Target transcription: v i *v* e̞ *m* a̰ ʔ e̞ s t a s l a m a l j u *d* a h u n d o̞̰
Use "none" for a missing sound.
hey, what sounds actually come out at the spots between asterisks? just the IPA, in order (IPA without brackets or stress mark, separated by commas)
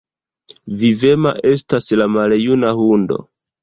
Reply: v, m, n